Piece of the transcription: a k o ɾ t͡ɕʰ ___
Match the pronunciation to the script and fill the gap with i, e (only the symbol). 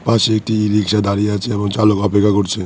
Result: e